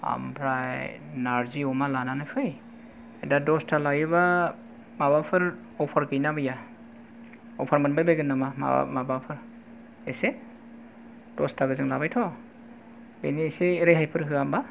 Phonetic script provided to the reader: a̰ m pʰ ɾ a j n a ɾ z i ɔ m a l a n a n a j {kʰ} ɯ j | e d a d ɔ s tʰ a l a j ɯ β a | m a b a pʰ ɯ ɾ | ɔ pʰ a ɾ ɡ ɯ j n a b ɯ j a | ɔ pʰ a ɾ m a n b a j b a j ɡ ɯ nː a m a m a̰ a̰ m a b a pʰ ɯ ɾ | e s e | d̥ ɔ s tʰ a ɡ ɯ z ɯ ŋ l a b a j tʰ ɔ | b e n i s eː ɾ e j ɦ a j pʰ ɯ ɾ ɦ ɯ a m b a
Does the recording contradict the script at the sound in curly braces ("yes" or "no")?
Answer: yes